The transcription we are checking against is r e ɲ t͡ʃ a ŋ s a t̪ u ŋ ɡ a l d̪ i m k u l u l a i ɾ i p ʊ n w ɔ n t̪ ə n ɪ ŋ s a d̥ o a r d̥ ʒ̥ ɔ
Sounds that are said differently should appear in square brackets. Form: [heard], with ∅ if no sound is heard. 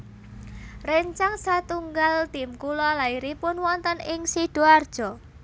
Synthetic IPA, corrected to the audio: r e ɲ t͡ʃ a ŋ s a t̪ u ŋ ɡ a l [t̪] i m k u l [ɔ] l a i ɾ i p ʊ n w ɔ n t̪ ə n ɪ ŋ s [i] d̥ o a r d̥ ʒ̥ ɔ